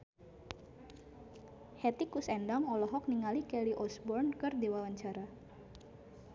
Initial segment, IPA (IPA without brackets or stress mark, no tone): h